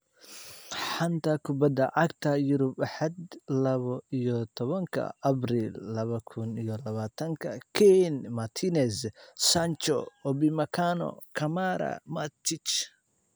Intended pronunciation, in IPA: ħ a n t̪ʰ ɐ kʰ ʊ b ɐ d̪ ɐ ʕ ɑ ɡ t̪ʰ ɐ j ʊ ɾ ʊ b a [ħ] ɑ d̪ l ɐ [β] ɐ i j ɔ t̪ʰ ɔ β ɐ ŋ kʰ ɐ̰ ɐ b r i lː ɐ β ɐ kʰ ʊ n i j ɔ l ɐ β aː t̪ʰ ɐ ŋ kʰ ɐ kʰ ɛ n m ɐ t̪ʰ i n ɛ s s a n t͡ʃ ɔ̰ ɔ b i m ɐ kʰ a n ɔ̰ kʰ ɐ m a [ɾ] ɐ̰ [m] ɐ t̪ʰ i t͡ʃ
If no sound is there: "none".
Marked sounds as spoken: ħ, β, ɾ, m

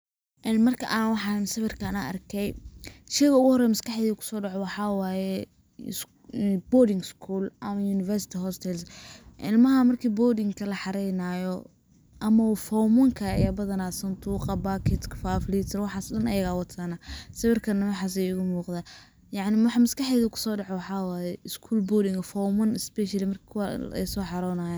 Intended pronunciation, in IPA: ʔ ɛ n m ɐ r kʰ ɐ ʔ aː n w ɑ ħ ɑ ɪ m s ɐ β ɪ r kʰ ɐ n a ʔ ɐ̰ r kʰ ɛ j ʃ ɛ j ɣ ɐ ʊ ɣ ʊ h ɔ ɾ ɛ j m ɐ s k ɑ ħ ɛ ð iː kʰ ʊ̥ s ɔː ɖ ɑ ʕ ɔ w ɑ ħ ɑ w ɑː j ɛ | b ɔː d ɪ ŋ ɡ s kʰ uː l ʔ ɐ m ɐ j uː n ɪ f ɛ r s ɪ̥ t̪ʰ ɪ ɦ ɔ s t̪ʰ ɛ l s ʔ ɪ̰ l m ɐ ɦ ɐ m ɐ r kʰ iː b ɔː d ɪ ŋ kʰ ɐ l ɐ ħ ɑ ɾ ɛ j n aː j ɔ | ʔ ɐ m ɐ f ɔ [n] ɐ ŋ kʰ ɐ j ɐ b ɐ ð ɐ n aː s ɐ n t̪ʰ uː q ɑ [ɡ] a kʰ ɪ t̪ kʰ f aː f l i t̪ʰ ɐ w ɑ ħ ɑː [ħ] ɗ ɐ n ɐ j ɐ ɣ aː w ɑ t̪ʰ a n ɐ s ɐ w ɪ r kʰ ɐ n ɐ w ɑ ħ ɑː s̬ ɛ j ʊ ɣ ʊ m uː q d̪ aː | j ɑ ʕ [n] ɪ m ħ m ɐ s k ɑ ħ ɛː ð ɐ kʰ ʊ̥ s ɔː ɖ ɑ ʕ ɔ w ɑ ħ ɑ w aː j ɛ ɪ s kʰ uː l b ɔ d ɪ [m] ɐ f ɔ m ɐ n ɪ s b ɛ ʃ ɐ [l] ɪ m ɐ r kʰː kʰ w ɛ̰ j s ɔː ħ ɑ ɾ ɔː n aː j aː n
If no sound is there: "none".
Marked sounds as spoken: m, b, s, n, ŋ, l

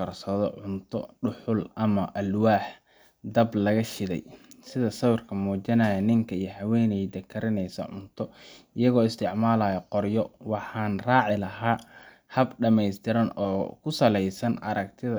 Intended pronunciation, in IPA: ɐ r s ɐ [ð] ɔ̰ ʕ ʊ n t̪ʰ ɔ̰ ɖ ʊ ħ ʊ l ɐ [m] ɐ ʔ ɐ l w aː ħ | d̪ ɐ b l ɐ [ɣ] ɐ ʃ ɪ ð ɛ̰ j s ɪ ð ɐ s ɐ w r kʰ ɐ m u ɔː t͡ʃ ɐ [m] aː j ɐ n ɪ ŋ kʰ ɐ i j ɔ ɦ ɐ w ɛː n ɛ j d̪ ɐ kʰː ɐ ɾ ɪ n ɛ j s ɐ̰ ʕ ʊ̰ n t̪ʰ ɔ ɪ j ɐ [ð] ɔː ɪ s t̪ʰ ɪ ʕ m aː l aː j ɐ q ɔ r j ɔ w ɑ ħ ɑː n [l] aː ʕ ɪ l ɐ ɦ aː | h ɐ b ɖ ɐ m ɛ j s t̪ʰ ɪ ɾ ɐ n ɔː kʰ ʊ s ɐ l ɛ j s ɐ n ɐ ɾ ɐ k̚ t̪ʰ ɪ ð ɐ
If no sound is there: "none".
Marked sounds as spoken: ð, m, ɣ, n, ɣ, r

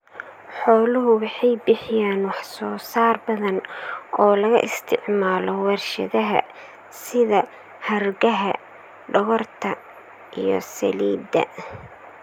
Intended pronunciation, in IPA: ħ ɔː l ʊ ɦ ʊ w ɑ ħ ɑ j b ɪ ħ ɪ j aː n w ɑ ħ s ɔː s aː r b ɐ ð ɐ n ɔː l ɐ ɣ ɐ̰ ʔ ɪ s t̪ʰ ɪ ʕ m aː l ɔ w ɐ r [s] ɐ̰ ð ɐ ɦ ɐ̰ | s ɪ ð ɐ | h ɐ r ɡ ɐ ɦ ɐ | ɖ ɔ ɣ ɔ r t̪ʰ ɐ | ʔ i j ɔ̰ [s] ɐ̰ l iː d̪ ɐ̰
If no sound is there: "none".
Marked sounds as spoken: ʃ, s

